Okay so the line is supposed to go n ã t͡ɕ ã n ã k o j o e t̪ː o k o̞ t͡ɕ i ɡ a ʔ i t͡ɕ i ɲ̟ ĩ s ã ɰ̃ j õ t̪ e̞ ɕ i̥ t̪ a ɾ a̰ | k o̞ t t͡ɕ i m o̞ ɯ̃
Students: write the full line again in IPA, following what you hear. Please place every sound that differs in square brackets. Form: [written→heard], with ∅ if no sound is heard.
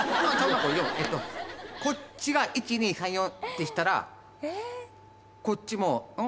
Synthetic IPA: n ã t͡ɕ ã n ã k o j o e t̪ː o k o̞ t͡ɕ i ɡ a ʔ i t͡ɕ i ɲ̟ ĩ s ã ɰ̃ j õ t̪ e̞ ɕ i̥ t̪ a ɾ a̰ | k o̞ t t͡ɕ i m o̞ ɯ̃